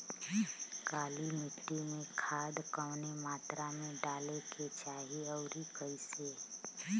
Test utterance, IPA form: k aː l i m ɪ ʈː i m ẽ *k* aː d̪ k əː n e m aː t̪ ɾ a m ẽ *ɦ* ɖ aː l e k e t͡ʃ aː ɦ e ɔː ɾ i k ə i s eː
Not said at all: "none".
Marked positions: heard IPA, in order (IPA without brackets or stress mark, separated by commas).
kʰ, none